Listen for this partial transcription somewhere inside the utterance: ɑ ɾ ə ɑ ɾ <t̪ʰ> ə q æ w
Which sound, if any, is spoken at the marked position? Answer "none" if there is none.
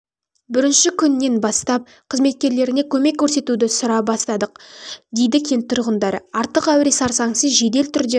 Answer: t̪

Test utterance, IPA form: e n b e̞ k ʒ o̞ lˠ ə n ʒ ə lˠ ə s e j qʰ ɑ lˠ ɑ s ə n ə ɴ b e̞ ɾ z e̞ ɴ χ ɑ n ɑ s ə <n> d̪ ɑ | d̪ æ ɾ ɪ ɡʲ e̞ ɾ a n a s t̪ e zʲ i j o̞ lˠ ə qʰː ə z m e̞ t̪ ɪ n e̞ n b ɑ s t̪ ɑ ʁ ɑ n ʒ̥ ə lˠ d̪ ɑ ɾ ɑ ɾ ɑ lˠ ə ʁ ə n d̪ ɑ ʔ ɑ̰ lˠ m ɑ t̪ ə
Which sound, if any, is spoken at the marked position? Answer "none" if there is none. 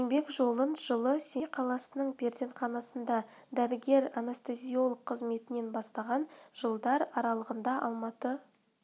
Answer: n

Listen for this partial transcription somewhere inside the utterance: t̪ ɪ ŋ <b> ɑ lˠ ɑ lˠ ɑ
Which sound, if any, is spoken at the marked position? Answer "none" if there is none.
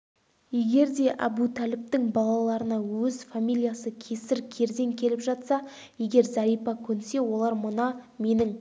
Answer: b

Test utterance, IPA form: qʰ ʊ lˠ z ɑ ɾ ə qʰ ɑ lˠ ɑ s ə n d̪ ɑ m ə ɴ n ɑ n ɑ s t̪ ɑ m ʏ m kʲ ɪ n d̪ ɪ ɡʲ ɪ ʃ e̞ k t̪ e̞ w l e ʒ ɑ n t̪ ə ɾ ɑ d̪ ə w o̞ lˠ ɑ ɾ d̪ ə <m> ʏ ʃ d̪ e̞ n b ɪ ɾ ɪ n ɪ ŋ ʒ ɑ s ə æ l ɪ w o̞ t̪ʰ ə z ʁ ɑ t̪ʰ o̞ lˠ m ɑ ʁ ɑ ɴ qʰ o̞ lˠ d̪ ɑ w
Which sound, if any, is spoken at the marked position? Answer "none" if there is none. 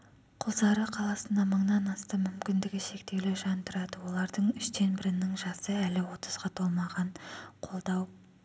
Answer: ɴ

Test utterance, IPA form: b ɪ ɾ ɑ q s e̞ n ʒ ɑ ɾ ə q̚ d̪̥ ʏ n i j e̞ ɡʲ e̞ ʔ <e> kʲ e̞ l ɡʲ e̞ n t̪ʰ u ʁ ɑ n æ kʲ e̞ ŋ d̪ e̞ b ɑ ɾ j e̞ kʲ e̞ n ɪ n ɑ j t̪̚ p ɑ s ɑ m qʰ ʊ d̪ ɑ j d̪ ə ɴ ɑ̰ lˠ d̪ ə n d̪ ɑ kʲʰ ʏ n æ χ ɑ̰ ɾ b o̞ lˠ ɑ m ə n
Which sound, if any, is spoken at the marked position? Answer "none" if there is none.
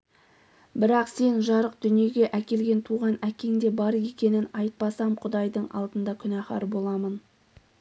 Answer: æ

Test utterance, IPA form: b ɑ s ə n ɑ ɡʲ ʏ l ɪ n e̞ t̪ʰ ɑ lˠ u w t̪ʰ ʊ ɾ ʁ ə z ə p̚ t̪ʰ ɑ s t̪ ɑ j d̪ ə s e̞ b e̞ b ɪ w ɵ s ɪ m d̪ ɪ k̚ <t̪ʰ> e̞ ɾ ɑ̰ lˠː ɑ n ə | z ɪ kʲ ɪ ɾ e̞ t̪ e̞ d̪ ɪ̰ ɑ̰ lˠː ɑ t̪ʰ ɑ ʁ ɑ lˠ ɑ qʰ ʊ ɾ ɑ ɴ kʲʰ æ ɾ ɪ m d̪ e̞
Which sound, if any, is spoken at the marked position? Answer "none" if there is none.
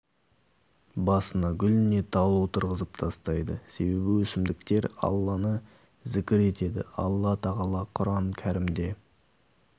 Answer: t̪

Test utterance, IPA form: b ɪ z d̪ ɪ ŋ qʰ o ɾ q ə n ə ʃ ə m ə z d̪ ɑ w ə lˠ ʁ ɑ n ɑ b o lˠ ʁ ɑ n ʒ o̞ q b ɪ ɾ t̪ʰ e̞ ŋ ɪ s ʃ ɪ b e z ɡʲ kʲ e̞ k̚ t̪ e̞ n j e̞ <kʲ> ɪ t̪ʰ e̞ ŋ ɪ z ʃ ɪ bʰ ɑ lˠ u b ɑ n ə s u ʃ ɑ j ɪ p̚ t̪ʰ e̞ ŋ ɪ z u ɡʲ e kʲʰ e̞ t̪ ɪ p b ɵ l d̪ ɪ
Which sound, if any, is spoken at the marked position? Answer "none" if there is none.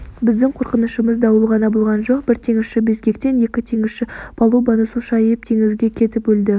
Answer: kʲ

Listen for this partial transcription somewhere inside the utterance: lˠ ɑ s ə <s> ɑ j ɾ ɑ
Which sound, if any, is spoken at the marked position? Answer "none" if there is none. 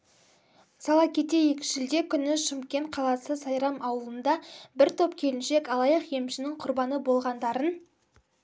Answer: s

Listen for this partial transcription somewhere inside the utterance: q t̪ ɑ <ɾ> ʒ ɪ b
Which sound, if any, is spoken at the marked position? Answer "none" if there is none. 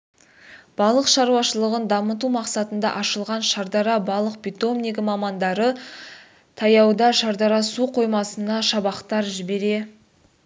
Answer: ɾ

